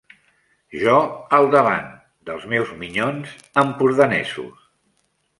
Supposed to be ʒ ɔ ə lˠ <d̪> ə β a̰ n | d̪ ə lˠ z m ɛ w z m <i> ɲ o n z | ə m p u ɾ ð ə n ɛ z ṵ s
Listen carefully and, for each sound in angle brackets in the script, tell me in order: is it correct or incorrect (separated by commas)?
correct, correct